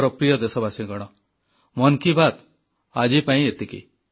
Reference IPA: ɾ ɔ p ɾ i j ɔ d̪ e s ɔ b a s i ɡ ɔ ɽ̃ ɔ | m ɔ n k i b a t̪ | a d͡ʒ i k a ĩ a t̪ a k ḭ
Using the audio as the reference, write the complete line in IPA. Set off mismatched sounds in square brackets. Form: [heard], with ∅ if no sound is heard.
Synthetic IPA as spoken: ɾ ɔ p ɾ i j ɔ d̪ e s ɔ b a s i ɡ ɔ ɽ̃ ɔ | m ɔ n k i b a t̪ | a d͡ʒ i [p] a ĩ [e] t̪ [i] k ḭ